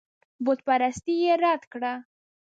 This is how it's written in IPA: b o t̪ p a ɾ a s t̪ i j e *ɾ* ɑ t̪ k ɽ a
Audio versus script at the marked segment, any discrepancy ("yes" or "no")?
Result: no